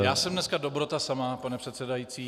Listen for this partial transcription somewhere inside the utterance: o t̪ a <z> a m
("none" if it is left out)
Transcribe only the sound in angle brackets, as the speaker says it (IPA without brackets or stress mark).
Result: s